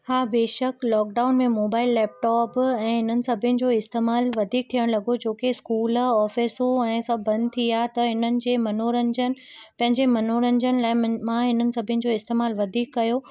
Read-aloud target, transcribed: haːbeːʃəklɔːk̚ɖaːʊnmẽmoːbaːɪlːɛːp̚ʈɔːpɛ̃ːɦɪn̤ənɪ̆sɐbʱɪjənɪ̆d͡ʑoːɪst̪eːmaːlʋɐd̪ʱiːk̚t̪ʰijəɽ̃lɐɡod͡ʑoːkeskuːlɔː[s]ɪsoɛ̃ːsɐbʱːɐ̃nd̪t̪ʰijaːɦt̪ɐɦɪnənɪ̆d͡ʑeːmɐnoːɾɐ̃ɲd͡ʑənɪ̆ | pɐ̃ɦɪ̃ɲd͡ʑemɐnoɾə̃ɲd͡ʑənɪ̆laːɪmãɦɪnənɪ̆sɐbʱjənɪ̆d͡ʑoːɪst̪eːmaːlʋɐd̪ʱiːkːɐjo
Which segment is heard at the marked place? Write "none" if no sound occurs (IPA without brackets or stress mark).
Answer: f